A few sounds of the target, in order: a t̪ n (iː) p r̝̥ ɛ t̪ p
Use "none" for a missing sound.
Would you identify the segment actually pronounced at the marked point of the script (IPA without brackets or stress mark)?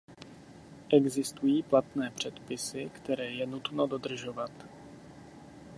ɛː